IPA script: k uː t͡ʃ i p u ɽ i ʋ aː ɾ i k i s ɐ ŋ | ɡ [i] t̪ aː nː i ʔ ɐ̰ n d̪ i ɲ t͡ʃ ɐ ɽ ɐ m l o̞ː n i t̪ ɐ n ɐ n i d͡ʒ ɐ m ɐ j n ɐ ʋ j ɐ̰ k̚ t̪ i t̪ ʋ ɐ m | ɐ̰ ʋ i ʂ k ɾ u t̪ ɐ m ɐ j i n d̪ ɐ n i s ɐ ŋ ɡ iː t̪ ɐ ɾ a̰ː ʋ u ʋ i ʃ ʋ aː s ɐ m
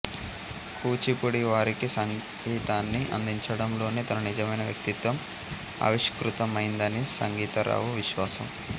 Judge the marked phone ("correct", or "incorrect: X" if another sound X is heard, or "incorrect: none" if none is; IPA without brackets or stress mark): incorrect: iː